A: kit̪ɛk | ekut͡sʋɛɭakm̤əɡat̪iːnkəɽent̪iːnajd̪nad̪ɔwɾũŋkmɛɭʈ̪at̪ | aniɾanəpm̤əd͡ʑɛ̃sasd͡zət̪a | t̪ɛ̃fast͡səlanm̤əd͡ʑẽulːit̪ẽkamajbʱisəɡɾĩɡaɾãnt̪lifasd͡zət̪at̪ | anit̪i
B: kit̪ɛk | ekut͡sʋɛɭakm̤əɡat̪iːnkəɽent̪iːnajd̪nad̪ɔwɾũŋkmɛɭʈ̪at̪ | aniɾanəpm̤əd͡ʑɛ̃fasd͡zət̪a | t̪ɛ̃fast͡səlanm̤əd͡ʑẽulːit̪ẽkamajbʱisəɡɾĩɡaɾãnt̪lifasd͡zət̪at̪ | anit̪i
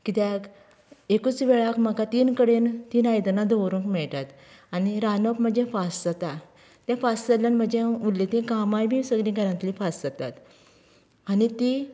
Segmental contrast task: B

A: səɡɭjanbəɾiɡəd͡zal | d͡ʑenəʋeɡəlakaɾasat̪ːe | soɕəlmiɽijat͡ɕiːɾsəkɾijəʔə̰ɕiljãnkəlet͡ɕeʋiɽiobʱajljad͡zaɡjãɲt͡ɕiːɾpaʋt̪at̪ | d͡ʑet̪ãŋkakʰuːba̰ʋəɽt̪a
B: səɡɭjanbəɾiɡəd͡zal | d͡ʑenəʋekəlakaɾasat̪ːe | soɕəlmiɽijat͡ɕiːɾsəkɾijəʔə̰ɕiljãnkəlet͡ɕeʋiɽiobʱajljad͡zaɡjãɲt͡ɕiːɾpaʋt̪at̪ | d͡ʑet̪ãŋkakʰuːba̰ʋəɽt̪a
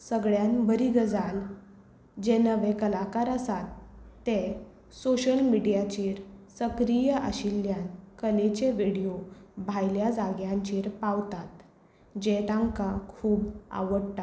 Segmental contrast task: B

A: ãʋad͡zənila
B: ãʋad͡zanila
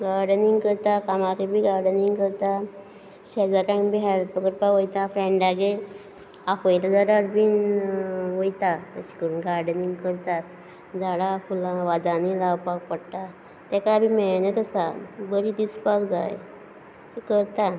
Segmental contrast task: B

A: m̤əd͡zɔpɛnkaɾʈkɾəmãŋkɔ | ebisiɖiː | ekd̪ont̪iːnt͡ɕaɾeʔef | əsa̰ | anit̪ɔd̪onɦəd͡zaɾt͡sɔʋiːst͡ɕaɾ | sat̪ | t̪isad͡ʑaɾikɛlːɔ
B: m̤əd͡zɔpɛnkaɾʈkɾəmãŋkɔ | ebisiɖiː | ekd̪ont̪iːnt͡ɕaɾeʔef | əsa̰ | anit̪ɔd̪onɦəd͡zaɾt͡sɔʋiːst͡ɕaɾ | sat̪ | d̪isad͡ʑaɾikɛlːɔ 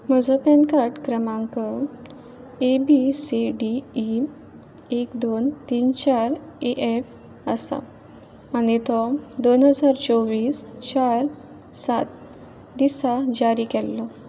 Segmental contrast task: B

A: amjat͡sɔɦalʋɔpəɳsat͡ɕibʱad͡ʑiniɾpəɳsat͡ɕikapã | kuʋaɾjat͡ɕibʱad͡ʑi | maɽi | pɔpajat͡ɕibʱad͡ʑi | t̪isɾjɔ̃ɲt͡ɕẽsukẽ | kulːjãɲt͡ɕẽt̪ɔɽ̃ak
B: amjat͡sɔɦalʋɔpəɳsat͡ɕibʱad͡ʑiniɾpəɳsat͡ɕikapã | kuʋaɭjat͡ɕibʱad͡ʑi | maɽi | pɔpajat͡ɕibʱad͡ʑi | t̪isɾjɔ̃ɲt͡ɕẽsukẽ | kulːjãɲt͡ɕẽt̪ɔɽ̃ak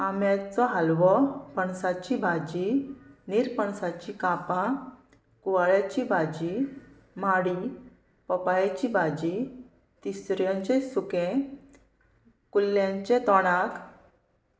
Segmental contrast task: B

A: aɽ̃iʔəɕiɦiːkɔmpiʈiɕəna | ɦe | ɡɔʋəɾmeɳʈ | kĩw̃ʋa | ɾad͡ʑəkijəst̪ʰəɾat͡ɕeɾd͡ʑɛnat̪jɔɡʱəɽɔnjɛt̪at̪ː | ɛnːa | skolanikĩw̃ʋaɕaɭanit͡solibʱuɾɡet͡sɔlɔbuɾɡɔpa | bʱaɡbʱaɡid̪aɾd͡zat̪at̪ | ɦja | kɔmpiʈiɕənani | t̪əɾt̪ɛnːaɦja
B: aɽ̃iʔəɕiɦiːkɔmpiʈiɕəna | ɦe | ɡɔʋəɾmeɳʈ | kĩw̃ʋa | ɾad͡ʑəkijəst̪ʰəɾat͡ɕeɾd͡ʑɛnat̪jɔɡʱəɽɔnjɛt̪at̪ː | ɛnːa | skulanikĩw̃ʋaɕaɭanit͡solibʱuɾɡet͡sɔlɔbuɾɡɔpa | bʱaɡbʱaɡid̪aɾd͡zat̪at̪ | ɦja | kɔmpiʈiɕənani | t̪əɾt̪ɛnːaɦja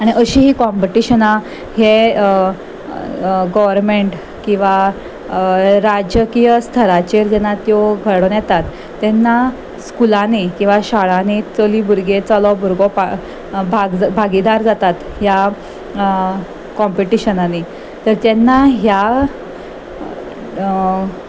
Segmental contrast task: B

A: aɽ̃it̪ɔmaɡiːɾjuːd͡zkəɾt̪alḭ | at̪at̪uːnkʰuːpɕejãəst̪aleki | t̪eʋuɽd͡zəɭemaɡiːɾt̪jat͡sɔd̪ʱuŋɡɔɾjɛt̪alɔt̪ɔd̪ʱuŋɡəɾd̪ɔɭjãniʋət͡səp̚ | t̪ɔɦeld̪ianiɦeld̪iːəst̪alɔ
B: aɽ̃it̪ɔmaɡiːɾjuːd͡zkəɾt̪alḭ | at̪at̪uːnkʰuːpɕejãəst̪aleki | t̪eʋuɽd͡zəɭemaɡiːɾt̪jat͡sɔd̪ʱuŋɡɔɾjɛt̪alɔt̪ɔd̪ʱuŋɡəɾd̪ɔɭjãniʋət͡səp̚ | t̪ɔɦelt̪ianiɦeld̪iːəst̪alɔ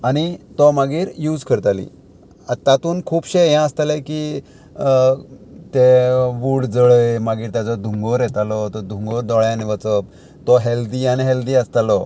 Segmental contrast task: A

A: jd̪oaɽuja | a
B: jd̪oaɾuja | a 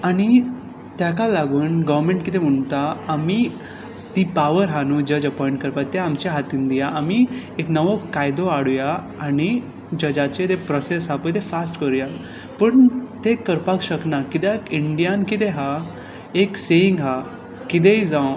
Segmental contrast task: A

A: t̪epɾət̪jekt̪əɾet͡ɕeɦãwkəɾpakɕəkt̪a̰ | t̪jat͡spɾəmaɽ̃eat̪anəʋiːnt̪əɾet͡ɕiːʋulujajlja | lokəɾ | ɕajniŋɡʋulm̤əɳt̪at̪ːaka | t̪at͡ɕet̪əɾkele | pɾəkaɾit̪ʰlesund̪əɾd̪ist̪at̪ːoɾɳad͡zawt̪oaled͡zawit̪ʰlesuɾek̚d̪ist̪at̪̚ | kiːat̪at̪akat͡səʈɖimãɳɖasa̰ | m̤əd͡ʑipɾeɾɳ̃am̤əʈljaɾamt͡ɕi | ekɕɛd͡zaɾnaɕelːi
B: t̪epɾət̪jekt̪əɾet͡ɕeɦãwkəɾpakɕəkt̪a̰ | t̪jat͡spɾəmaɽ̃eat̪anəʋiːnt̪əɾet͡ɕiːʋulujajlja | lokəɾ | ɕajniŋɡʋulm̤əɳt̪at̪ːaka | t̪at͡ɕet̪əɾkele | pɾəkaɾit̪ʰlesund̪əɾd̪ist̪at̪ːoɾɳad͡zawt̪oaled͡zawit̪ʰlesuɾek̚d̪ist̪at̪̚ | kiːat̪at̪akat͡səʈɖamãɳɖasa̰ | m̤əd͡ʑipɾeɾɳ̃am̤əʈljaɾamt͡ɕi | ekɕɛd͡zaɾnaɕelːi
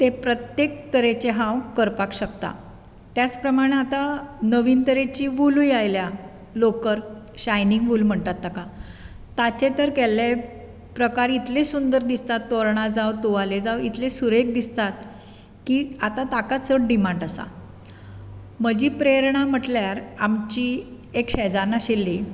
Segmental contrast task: A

